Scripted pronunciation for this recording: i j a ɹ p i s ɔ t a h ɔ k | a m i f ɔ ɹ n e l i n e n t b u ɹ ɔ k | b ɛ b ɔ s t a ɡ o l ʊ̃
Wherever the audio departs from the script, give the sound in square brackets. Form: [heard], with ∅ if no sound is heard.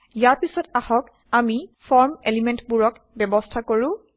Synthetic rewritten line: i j a ɹ p i s ɔ t a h ɔ k | a m i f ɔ ɹ [m] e l i [m] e n t b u ɹ ɔ k | b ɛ b ɔ s [tʰ] a [k] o [ɹ] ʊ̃